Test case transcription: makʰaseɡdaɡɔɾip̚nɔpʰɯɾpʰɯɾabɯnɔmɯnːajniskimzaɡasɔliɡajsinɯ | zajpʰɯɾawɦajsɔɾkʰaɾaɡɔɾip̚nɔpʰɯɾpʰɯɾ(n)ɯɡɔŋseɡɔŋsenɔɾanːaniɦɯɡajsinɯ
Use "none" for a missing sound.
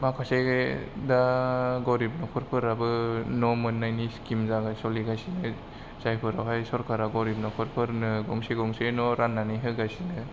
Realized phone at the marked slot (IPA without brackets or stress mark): n